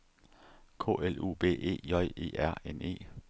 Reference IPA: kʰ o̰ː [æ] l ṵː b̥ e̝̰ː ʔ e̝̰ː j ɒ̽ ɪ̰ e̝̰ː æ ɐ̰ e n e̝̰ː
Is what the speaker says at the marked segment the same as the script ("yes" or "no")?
no